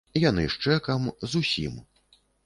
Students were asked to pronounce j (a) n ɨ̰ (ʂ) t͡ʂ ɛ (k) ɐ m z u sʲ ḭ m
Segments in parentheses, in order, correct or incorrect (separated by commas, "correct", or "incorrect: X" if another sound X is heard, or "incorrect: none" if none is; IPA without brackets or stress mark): correct, correct, correct